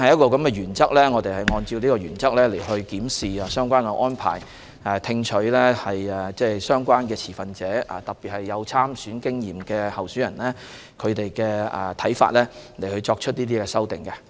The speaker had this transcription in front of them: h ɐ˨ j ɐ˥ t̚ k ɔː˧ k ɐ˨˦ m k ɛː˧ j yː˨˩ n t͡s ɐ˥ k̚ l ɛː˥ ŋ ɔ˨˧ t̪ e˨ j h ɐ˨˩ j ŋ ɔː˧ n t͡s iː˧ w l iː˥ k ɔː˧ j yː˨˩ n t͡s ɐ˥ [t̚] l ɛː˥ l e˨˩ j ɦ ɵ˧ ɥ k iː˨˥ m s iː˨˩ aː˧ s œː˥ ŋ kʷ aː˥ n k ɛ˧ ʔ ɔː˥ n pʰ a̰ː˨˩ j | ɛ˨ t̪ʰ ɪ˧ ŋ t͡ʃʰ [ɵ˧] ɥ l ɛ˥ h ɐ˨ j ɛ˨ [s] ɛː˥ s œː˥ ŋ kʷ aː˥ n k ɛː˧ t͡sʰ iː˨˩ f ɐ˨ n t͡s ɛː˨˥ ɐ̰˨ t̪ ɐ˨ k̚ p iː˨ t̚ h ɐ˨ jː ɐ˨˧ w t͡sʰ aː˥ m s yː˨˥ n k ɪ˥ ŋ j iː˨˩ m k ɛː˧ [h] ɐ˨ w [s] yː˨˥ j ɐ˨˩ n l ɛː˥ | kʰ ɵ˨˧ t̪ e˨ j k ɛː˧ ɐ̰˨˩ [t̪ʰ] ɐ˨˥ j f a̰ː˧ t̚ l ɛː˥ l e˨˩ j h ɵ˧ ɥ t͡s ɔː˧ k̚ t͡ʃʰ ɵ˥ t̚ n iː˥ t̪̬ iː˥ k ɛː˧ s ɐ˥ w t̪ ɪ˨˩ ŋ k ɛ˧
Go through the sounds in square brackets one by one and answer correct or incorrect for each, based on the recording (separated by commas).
incorrect, incorrect, incorrect, correct, correct, correct